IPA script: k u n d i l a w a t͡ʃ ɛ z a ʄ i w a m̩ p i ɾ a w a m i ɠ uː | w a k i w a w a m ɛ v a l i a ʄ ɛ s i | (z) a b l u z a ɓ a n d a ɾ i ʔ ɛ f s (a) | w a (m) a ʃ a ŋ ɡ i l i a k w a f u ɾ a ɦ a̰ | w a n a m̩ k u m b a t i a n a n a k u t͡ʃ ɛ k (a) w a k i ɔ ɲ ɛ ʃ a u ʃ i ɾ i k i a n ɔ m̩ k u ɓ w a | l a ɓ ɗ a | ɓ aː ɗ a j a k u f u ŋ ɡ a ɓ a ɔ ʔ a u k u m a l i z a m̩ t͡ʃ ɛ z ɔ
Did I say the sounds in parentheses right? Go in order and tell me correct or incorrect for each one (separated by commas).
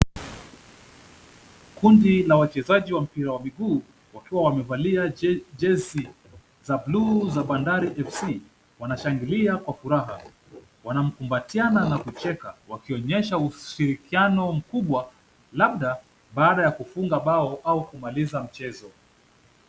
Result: correct, incorrect, incorrect, correct